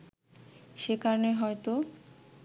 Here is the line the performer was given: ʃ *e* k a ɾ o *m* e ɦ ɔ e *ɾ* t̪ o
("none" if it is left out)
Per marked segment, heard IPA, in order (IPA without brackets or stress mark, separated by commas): e, n, none